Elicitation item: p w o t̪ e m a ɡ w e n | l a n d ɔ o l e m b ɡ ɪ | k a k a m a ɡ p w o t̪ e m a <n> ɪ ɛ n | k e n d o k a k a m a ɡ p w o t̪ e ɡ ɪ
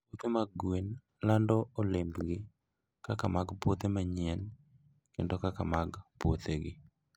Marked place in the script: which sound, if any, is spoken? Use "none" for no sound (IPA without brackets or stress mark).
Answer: ɲ